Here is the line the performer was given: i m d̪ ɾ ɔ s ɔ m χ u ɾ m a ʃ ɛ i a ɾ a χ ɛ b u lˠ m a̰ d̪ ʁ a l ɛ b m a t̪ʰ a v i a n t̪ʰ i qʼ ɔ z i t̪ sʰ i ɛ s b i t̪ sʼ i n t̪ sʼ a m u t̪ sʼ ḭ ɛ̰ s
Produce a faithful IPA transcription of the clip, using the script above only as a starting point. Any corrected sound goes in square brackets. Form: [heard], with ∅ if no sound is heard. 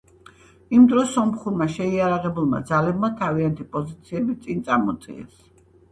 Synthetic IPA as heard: i m d̪ ɾ ɔ s ɔ m χ u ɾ m a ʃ ɛ i a ɾ a [ʁ] ɛ b u lˠ m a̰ d̪ [z] a l ɛ b m a t̪ʰ a v i a n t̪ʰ i [pʼ] ɔ z i t̪ sʰ i ɛ [∅] b i t̪ sʼ i n t̪ sʼ a m [ɔ] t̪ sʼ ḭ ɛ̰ s